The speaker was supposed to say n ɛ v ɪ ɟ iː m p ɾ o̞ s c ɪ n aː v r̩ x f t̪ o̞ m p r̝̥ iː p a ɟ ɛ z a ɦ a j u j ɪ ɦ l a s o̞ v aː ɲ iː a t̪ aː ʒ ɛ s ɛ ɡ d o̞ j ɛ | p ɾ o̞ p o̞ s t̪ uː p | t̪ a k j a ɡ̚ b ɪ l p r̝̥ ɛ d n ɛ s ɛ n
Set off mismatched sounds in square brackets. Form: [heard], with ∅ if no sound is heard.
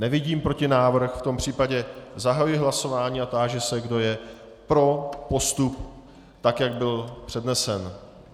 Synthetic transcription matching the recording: n ɛ v ɪ ɟ iː m p ɾ o̞ [∅] c ɪ n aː v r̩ x f t̪ o̞ m p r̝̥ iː p a ɟ ɛ z a ɦ a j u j ɪ ɦ l a s o̞ v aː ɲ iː a t̪ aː ʒ ɛ s ɛ ɡ d o̞ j ɛ | p ɾ o̞ p o̞ s t̪ [u] p | t̪ a k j a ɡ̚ b ɪ l p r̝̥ ɛ d n ɛ s ɛ n